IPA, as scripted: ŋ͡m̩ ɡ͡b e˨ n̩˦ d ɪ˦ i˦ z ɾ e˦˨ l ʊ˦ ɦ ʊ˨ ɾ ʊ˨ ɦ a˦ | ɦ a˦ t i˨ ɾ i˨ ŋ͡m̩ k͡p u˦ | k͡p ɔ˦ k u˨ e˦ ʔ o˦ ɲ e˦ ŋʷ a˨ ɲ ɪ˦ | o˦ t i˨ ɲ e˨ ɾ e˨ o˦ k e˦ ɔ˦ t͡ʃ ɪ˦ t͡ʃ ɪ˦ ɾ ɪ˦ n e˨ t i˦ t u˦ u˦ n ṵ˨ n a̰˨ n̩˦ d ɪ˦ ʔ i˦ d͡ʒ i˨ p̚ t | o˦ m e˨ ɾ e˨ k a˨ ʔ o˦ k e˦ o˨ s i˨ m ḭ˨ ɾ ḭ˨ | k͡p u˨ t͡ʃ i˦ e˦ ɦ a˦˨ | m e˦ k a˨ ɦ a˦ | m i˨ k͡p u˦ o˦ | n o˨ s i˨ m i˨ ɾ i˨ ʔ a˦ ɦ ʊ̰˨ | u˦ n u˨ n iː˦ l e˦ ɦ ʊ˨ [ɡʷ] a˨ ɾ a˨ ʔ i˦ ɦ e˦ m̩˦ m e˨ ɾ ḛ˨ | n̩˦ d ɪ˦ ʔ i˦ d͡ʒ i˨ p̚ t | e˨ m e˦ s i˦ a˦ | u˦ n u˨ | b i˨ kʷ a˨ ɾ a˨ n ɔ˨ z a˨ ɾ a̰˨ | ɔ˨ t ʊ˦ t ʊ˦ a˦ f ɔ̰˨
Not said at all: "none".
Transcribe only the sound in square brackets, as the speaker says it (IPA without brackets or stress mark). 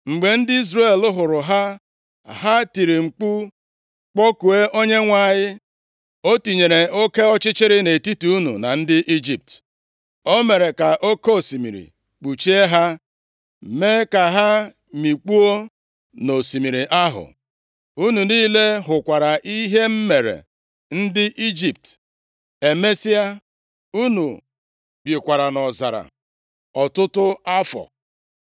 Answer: kʷ